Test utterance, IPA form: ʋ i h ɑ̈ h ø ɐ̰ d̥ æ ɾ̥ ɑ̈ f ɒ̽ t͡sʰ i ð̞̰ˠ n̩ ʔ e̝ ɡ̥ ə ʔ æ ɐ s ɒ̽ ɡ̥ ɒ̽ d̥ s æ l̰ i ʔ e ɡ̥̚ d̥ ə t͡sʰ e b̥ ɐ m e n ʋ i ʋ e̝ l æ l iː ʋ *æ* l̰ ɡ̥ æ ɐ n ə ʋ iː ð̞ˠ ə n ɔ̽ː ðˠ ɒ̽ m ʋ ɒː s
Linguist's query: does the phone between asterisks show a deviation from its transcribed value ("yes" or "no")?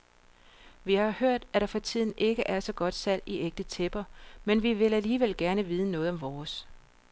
yes